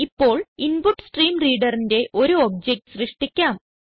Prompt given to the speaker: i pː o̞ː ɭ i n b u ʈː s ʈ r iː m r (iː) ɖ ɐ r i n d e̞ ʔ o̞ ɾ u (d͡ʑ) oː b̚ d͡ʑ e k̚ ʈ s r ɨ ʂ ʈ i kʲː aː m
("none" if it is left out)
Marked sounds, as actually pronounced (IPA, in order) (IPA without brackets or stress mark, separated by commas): iː, none